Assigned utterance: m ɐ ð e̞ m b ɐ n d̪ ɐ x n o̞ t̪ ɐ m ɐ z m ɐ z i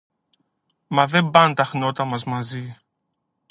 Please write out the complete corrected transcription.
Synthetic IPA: m ɐ ð e̞ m b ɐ n t̪ ɐ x n o̞ t̪ ɐ m ɐ z m ɐ z i